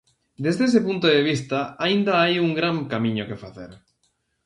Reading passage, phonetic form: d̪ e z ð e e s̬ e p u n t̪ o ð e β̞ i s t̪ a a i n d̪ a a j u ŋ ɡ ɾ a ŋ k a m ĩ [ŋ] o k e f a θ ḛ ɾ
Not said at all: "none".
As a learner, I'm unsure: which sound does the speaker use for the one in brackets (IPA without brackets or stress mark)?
ɲ